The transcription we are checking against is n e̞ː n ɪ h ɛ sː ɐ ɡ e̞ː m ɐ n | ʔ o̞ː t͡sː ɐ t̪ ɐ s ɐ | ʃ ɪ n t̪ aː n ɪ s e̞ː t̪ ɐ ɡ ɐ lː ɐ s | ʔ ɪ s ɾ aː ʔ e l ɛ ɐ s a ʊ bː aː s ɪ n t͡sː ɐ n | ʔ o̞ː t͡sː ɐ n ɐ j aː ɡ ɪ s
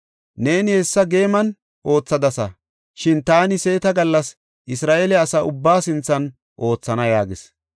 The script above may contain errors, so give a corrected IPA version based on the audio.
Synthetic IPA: n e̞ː n ɪ h ɛ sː ɐ ɡ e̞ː m ɐ n | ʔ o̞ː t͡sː ɐ d̪ ɐ s ɐ | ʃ ɪ n t̪ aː n ɪ s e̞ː t̪ ɐ ɡ ɐ lː ɐ s | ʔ ɪ s ɾ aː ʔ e l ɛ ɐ s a ʊ bː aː s ɪ n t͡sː ɐ n | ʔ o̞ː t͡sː ɐ n ɐ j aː ɡ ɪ s